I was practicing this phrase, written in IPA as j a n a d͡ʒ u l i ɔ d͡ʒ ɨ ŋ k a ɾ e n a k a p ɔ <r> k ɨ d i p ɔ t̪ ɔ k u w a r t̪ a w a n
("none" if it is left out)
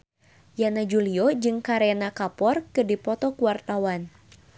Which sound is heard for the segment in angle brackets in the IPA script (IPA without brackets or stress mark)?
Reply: r